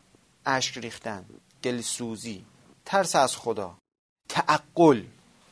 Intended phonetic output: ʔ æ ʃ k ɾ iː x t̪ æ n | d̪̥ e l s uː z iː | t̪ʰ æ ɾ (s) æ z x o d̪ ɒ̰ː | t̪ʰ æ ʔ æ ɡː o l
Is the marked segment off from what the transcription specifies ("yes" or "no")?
no